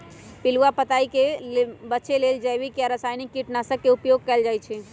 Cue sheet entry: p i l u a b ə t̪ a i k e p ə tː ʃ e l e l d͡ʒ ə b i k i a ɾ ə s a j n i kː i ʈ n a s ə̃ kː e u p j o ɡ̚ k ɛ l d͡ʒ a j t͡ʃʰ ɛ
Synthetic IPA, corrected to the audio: p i l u a p ə t̪ a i k e b ə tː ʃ e l e l d͡ʒ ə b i k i a ɾ ə s a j n i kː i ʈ n a s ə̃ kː e u p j o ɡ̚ k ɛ l d͡ʒ a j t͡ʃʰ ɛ